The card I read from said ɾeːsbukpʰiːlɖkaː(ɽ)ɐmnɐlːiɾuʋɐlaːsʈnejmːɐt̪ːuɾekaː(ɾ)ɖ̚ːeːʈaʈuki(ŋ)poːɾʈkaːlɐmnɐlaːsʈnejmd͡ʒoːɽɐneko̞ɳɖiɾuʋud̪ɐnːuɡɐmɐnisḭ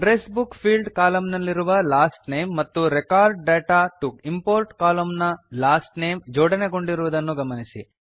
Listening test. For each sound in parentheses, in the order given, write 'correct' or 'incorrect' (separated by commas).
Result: incorrect, correct, incorrect